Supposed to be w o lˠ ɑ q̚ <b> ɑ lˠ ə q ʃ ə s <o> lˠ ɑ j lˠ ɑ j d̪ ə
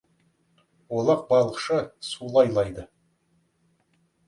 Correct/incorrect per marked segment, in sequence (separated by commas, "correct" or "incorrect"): correct, incorrect